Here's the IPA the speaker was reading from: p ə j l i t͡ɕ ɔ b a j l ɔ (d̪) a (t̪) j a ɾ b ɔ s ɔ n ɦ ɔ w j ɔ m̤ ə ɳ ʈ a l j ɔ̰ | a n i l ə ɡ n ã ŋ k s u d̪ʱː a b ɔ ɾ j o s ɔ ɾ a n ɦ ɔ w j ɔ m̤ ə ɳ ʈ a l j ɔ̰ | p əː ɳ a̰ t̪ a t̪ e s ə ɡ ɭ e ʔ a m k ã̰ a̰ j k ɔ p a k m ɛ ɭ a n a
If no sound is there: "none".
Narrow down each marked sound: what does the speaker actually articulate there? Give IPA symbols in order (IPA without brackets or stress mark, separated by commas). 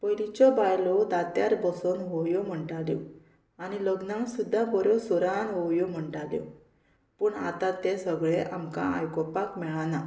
d̪, t̪